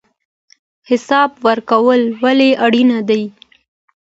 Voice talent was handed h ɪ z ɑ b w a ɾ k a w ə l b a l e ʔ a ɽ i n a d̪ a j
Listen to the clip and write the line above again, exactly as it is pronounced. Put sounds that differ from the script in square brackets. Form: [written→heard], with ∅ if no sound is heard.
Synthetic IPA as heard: h ɪ [z→s] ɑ b w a ɾ k a w ə l [b→w] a l e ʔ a ɽ i n a d̪ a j